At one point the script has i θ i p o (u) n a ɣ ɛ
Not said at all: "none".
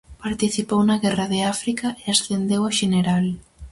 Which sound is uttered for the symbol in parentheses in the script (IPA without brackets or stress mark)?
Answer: w